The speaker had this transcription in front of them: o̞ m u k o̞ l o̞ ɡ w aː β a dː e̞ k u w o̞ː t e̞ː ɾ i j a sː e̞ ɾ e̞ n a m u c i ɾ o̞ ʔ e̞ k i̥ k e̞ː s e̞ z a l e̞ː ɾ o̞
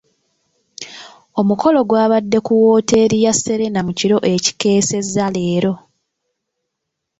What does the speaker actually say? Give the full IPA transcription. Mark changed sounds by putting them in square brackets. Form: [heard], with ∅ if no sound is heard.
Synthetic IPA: o̞ m u k o̞ l o̞ ɡ w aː β a dː e̞ k u w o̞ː t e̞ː ɾ i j a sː e̞ ɾ e̞ n a m u c i ɾ o̞ ʔ e̞ [c] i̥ k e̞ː s e̞ z a l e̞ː ɾ o̞